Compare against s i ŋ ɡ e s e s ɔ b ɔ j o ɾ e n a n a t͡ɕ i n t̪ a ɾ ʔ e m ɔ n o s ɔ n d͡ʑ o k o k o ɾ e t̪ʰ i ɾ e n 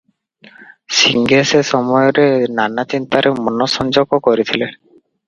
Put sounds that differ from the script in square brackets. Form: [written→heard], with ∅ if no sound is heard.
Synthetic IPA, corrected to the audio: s i ŋ ɡ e s e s ɔ [b→m] ɔ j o ɾ e n a n a t͡ɕ i n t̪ a ɾ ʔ e m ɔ n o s ɔ n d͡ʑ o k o k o ɾ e t̪ʰ i [ɾ→l] e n